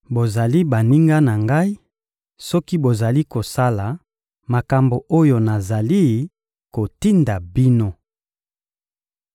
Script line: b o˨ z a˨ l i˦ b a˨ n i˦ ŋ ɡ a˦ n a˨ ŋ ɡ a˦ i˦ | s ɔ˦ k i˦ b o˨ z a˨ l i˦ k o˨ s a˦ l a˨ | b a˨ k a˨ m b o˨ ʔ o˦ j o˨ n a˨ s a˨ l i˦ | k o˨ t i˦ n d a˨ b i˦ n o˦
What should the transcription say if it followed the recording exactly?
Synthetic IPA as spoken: b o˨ z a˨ l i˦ b a˨ n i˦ ŋ ɡ a˦ n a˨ ŋ ɡ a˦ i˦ | s ɔ˦ k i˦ b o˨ z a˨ l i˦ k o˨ s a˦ l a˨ | m a˨ k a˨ m b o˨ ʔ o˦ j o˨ n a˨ z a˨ l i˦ | k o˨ t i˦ n d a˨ b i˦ n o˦